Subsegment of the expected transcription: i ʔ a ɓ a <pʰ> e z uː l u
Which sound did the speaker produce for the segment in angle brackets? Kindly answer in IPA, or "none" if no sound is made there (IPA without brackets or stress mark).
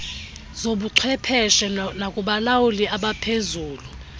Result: pʰ